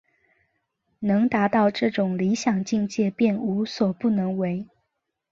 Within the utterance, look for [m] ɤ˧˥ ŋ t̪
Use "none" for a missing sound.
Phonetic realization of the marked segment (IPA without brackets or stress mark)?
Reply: n